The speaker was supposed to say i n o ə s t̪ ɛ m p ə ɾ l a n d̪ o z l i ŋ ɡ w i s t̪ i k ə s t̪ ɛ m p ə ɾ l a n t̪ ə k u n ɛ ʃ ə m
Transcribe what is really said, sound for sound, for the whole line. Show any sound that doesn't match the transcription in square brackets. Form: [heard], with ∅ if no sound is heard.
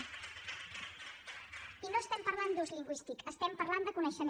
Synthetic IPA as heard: i n o ə s t̪ ɛ m p ə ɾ l a n d̪ [u] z l i ŋ ɡ w i s t̪ i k ə s t̪ ɛ m p ə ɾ l a n [d̪] ə k u n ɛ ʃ ə m

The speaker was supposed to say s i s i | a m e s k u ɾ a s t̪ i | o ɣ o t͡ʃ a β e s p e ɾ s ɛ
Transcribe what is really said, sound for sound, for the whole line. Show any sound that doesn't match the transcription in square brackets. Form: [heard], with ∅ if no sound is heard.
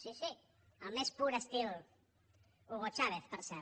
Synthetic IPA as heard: s i s i | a m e s [p] u ɾ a s t̪ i | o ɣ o t͡ʃ a β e [θ] p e ɾ s ɛ

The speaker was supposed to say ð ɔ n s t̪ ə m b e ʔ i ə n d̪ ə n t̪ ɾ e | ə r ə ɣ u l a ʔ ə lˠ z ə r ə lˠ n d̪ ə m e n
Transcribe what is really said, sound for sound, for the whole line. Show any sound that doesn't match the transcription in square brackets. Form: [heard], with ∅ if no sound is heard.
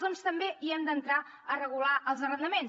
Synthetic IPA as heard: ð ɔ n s t̪ ə m b e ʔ i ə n d̪ ə n t̪ ɾ [a] | ə r ə ɣ u l a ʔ ə lˠ z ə r ə [∅] n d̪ ə m e n

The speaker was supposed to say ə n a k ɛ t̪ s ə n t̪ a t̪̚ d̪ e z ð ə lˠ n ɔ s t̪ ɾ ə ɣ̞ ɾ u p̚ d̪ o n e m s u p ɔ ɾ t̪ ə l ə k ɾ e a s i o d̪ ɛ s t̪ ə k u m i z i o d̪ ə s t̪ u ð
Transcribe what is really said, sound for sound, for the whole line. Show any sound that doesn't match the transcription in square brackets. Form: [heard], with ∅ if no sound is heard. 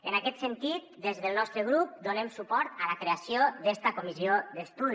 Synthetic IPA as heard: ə n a k ɛ t̪ s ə n t̪ [i] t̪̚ d̪ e z ð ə lˠ n ɔ s t̪ ɾ ə ɣ̞ ɾ u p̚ d̪ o n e m s u p ɔ ɾ t̪ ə l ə k ɾ e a s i o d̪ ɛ s t̪ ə k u m i z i o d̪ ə s t̪ u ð

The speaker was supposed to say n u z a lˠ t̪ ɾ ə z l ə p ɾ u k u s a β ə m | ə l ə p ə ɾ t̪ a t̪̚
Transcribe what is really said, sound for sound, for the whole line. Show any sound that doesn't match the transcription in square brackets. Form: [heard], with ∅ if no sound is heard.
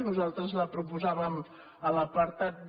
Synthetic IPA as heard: n u z a lˠ t̪ ɾ ə z l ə p ɾ u [p] u [z] a β ə m | ə l ə p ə ɾ t̪ a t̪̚

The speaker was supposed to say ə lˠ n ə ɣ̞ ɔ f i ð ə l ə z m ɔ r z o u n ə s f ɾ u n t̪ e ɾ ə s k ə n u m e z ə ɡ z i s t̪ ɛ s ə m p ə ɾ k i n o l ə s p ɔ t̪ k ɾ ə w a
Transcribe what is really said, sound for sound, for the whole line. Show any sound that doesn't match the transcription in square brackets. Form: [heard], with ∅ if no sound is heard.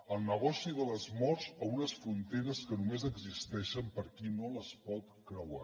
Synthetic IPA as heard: ə lˠ n ə ɣ̞ ɔ [s] i ð ə l ə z m ɔ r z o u n ə s f ɾ u n t̪ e ɾ ə s k ə n u m e z ə ɡ z i s t̪ ɛ [ʃ] ə m p ə ɾ k i n o l ə s p ɔ t̪ k ɾ ə w a

